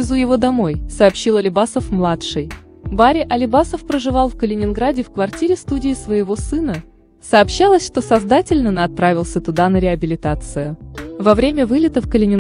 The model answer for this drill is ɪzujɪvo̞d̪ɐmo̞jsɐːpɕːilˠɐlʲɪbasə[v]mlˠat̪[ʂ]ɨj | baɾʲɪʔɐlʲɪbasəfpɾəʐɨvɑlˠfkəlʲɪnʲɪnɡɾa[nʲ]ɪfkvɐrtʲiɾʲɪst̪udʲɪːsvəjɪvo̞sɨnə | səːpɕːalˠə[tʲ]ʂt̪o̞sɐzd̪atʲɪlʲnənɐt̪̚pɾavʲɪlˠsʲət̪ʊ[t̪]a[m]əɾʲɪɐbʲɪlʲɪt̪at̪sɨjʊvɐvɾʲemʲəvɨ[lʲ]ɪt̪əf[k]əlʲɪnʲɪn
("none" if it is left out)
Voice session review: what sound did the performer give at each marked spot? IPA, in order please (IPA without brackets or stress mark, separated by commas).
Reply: f, ʂ, dʲ, sʲ, d̪, n, lʲ, k